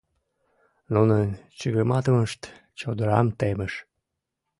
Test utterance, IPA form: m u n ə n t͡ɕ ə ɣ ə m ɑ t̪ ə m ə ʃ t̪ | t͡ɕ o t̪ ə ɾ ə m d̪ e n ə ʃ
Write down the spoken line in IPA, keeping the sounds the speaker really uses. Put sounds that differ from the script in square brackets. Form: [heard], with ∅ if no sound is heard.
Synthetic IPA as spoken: [n] u n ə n t͡ɕ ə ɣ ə m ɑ t̪ ə m ə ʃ t̪ | t͡ɕ o [d̪] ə ɾ [ɑ] m [t̪] e [m] ə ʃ